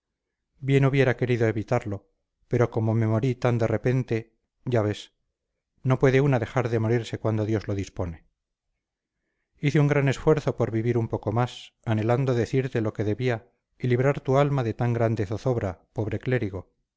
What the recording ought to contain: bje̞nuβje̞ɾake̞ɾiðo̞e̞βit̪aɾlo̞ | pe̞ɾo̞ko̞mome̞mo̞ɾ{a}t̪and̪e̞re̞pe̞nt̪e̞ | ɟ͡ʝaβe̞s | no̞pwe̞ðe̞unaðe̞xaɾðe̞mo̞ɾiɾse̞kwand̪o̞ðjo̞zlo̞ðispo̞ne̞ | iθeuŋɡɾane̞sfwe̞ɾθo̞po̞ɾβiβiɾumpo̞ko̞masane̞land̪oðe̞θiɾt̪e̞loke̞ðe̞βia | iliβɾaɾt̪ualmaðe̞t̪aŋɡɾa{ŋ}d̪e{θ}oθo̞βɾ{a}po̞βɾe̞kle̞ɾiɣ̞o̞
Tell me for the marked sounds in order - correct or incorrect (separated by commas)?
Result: incorrect, incorrect, correct, correct